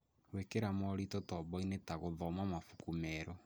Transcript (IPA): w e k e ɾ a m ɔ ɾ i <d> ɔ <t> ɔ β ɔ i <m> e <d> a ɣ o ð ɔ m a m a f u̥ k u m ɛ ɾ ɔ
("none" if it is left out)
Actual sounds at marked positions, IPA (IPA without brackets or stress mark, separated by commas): t, t, n, t